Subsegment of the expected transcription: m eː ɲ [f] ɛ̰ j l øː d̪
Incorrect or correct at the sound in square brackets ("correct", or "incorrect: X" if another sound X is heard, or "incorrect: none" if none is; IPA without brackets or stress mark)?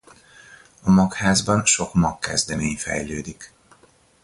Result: correct